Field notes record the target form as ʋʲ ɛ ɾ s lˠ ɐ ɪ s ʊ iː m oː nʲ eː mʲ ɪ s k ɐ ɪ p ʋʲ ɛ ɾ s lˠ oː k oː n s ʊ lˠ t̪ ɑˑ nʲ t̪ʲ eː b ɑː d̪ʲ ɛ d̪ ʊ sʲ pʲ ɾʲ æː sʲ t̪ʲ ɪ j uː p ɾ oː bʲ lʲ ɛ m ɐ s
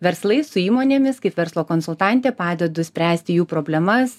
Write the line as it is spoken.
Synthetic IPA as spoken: ʋʲ ɛ ɾ s lˠ ɐ ɪ s ʊ iː m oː nʲ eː mʲ ɪ s k ɐ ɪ p ʋʲ ɛ ɾ s lˠ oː k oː n s ʊ lˠ t̪ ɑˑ nʲ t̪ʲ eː p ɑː d̪ʲ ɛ d̪ ʊ sʲ pʲ ɾʲ æː sʲ t̪ʲ ɪ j uː p ɾ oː bʲ lʲ ɛ m ɐ s